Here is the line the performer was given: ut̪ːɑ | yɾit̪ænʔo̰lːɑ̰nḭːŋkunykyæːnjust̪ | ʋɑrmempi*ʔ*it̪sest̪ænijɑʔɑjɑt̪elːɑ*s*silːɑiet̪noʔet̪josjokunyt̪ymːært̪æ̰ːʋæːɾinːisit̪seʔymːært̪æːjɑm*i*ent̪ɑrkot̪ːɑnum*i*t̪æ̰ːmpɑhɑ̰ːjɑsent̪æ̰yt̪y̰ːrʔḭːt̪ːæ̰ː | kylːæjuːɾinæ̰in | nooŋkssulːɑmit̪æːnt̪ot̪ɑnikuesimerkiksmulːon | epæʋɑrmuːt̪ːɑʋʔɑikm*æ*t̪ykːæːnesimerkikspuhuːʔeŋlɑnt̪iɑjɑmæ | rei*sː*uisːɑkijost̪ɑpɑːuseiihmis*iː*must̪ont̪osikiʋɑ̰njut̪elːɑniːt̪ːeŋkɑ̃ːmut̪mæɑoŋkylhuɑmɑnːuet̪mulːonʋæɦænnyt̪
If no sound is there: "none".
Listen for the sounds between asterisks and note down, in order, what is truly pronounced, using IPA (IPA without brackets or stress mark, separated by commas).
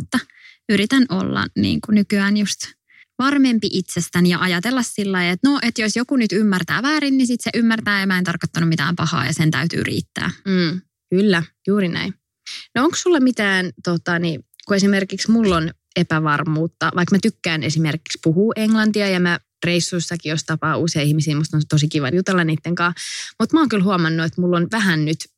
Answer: ʔ, s, æ, i, æ, sː, iː